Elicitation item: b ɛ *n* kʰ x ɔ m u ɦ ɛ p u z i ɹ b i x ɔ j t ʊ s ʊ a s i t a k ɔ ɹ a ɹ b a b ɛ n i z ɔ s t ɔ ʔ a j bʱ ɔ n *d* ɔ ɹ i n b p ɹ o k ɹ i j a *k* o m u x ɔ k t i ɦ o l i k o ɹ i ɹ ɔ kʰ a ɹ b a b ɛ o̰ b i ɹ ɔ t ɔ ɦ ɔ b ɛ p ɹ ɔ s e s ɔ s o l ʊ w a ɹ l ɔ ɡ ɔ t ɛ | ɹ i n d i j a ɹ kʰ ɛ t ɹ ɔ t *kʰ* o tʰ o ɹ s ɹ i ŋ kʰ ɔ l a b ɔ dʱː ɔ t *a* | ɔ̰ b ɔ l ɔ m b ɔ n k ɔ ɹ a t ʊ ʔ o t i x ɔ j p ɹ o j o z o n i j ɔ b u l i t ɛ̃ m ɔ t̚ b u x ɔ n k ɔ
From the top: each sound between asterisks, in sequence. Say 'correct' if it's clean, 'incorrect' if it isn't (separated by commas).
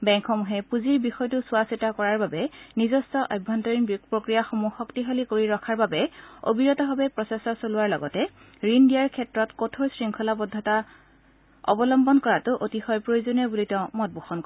incorrect, incorrect, incorrect, incorrect, correct